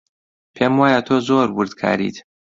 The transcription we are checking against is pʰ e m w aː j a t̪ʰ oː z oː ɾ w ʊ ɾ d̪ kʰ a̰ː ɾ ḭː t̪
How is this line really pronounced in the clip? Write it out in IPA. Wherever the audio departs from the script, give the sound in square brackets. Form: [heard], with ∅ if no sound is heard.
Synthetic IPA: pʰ e m w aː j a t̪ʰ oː z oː ɾ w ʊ ɾ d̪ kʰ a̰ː ɾ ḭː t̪